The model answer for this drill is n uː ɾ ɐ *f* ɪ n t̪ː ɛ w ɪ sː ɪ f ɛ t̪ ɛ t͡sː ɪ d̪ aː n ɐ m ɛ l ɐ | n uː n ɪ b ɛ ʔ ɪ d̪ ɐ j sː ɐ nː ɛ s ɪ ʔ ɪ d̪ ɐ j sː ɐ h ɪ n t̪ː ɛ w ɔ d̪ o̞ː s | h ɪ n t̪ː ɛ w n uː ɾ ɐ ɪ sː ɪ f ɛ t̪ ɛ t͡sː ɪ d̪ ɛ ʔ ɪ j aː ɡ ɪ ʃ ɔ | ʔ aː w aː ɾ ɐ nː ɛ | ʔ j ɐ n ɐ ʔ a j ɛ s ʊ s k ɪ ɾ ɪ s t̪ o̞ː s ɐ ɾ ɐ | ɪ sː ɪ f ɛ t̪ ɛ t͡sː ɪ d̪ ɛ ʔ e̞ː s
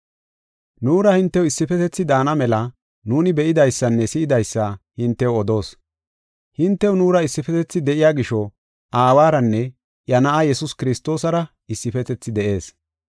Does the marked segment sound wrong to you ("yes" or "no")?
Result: yes